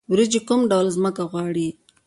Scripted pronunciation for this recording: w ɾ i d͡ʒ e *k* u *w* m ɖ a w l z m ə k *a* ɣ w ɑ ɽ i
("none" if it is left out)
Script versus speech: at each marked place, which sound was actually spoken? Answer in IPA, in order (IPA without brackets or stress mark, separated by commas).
k, none, a